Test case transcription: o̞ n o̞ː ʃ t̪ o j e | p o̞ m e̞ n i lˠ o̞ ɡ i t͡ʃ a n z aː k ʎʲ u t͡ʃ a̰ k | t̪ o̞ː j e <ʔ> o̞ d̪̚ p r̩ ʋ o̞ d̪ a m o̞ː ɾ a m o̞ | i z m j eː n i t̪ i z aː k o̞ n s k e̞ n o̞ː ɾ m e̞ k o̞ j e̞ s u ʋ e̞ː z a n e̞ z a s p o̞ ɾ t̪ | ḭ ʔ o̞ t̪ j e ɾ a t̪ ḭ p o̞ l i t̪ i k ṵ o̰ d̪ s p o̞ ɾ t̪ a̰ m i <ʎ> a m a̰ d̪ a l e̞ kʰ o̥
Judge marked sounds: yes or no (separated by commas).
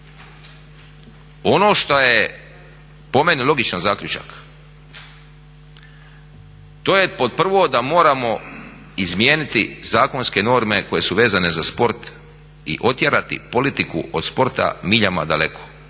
no, yes